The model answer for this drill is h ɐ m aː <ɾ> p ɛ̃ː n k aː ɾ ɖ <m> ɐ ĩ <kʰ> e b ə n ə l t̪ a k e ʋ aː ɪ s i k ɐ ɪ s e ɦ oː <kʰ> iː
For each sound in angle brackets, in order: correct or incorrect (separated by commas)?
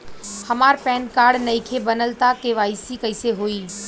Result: correct, incorrect, correct, incorrect